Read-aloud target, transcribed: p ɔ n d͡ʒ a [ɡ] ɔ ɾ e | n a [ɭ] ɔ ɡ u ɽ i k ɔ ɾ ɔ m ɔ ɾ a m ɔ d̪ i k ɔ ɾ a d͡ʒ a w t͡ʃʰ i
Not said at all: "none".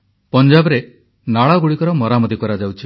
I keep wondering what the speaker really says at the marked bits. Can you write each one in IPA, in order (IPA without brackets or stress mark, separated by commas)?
b, ɭ